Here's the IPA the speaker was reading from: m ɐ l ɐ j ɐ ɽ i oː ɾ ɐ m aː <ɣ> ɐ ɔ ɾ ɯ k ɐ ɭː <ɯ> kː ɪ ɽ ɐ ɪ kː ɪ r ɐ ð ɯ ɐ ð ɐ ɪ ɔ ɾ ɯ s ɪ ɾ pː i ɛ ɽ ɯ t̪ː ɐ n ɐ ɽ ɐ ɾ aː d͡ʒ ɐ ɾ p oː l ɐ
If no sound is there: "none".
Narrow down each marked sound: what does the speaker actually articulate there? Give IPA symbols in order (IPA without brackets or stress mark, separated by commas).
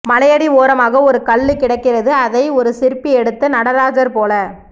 ɣ, ɯ